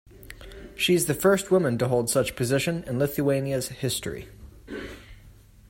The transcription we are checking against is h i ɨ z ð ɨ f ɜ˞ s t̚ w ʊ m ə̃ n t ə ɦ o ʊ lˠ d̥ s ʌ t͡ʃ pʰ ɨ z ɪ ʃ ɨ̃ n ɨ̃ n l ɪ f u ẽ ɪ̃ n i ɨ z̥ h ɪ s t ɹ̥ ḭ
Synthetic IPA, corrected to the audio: ʃ i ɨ z ð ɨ f ɜ˞ s t̚ w ʊ m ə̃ n t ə ɦ o ʊ lˠ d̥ s ʌ t͡ʃ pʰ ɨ z ɪ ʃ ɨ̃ n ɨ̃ n l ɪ θ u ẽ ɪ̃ n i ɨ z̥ h ɪ s t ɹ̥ ḭ